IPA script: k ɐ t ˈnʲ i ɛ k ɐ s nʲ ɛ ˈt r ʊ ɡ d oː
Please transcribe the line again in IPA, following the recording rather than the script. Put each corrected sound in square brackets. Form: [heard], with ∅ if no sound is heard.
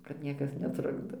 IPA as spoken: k ɐ t ˈnʲ i ɛ k ɐ s nʲ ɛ ˈt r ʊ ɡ d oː